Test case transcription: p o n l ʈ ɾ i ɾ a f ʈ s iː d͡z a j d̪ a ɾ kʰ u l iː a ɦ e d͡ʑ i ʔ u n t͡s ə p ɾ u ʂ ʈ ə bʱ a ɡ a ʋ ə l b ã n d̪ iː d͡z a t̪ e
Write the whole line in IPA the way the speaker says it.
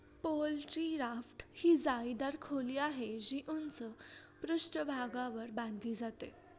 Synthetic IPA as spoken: p o l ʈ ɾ i ɾ a f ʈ h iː d͡z a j d̪ a ɾ kʰ o l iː a ɦ e d͡ʑ i ʔ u n t͡s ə p ɾ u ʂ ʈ ə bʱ a ɡ a ʋ ə ɾ b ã n d̪ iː d͡z a t̪ e